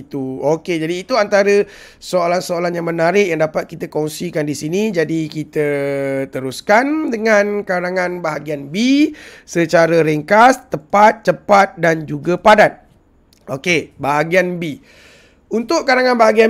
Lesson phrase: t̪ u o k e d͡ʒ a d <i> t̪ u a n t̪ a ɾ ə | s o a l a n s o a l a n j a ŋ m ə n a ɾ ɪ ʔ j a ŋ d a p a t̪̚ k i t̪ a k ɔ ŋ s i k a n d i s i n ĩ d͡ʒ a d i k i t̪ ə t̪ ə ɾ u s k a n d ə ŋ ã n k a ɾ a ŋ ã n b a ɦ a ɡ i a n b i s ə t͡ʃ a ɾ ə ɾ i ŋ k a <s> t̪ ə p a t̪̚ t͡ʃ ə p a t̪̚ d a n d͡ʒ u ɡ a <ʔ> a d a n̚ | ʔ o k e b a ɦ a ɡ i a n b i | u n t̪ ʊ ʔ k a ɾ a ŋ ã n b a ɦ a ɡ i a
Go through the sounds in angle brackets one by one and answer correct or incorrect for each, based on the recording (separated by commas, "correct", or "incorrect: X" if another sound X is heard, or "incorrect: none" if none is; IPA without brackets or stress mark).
incorrect: iː, correct, incorrect: p